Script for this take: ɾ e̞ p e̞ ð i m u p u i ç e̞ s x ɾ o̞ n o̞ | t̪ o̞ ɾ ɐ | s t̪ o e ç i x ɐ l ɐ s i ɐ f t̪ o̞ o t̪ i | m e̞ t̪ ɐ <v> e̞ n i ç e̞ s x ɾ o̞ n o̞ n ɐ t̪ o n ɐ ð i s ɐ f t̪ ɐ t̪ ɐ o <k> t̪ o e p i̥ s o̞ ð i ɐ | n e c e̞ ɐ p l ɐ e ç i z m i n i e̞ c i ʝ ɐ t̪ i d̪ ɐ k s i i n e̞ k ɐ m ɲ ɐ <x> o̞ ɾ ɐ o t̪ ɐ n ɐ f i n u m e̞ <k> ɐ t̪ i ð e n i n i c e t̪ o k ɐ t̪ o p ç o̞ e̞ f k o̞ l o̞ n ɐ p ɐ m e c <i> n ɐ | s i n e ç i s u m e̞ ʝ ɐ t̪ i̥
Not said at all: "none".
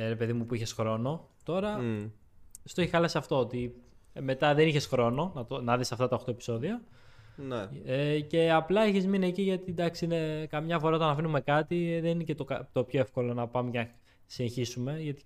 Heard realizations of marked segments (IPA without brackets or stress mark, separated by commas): ð, x, f, k, e